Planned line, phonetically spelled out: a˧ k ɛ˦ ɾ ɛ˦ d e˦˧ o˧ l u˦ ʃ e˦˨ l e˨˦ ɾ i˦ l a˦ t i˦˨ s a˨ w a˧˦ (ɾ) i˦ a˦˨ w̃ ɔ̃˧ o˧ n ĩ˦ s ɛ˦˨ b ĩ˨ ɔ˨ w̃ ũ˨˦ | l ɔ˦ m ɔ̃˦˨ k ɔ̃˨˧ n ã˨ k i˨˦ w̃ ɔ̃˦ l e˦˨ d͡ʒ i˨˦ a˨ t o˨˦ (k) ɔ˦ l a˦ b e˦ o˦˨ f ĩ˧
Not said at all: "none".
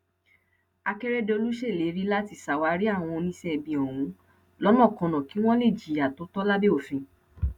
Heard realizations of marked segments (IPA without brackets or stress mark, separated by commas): ɾ, t